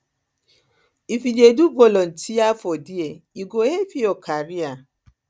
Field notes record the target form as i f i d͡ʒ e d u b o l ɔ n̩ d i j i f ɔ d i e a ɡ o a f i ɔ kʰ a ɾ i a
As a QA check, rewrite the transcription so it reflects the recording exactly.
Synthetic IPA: i f i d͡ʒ e d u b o l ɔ n̩ t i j a f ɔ d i e i ɡ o e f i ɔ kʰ a ɾ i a